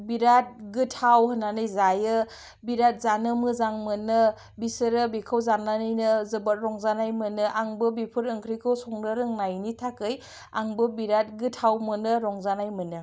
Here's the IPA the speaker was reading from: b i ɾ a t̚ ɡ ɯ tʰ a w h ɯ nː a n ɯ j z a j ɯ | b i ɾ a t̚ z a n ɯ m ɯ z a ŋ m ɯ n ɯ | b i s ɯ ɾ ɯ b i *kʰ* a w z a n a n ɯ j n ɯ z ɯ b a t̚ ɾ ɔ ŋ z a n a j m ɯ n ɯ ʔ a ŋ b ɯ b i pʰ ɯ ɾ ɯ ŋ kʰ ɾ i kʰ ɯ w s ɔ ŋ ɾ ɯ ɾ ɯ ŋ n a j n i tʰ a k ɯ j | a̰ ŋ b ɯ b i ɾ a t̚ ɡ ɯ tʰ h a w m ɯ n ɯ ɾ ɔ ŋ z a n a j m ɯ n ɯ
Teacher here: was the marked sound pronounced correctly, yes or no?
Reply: yes